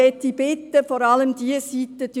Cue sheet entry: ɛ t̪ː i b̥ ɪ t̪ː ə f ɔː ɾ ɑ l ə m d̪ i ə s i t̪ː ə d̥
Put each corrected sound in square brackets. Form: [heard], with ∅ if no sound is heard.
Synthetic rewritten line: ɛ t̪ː i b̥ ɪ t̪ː ə f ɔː ɾ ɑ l ə m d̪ i ə s i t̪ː ə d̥